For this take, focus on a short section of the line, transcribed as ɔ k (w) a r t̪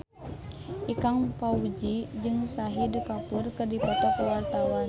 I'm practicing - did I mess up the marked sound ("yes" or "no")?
no